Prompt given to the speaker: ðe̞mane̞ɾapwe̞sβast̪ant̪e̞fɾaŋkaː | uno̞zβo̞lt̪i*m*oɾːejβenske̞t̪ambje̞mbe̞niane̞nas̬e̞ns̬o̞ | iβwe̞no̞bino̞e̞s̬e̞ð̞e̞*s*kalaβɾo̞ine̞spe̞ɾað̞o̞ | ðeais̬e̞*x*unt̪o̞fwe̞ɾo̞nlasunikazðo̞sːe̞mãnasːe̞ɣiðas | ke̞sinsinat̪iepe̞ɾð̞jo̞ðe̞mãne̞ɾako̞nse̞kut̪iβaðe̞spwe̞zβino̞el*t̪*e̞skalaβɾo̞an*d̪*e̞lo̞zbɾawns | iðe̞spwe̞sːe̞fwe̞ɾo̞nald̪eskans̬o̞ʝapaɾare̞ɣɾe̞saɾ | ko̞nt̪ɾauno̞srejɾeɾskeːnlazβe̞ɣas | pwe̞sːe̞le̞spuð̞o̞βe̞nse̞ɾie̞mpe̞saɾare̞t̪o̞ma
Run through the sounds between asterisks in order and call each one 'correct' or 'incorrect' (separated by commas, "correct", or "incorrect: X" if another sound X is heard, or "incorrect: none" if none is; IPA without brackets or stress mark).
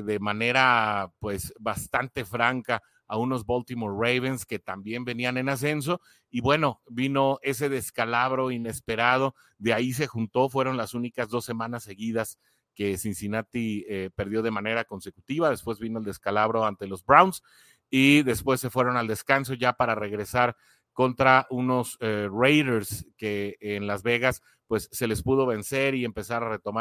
correct, correct, correct, incorrect: d̪, incorrect: t̪